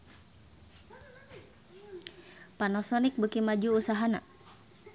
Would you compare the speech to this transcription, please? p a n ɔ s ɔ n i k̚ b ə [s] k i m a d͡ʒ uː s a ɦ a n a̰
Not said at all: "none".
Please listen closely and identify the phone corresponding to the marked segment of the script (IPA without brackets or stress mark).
none